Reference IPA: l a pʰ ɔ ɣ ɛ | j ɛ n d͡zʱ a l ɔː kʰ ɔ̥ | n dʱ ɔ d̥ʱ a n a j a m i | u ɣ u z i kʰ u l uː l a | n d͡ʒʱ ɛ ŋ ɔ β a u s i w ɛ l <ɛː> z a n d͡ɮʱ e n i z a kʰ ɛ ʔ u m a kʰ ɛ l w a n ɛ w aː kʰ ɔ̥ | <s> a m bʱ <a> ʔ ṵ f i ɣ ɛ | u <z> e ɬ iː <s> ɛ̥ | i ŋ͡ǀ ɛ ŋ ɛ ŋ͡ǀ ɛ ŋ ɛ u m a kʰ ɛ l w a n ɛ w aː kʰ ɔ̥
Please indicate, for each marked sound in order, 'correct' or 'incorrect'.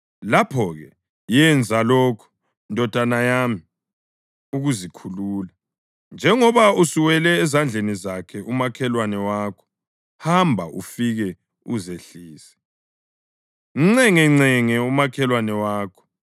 correct, incorrect: h, correct, correct, correct

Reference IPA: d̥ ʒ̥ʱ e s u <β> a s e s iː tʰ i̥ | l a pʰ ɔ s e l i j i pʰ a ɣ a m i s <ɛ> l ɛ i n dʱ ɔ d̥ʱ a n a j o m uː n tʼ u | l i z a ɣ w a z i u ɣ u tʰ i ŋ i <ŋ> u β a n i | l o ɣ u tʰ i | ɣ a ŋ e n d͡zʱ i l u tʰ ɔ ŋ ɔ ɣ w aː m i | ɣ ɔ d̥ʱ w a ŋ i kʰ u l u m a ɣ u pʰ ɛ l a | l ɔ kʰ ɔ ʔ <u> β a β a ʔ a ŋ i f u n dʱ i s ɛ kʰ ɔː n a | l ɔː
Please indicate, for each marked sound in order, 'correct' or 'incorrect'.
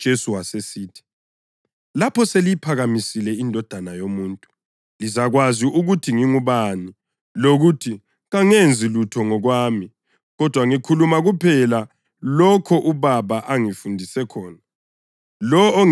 incorrect: w, incorrect: i, correct, correct

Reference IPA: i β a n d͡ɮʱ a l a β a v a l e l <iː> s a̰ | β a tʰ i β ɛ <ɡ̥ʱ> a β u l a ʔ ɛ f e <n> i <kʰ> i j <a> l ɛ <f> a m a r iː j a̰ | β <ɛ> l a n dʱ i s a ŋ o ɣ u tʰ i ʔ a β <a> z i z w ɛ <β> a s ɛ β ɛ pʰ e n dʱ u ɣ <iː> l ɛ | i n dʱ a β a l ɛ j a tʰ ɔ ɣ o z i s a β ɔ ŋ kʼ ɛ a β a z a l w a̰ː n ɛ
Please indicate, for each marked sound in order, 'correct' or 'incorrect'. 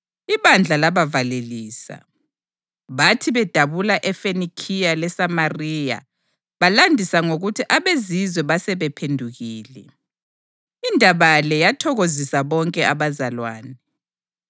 correct, incorrect: d̥ʱ, correct, correct, correct, incorrect: s, incorrect: a, incorrect: e, correct, correct

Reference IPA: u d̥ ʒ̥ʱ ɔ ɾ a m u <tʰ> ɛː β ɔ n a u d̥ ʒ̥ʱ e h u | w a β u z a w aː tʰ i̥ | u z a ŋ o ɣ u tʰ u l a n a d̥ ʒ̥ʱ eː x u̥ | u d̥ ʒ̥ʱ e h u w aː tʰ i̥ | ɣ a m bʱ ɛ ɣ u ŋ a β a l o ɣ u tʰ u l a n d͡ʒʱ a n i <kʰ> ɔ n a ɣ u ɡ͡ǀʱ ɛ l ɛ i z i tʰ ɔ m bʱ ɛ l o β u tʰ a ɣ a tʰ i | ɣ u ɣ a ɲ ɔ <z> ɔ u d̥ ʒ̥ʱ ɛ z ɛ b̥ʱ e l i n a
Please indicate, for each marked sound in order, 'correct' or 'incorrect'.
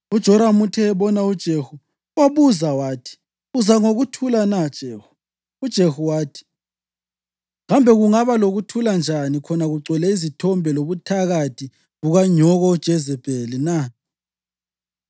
correct, correct, incorrect: ɣ

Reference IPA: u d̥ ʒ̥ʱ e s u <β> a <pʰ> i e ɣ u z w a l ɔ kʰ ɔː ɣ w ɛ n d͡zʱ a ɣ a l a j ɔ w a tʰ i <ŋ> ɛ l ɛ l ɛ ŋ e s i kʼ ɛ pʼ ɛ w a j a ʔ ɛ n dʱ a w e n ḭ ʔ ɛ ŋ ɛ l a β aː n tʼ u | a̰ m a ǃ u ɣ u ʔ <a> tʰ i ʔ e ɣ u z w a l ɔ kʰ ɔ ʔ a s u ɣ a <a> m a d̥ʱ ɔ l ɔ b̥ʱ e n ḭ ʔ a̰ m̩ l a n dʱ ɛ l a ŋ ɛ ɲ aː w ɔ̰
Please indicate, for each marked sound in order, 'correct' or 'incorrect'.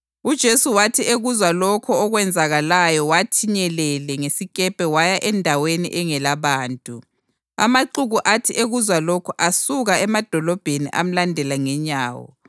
incorrect: w, incorrect: tʰ, incorrect: ɲ, correct, incorrect: ɛ

